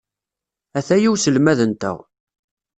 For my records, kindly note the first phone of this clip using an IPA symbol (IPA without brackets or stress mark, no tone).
æ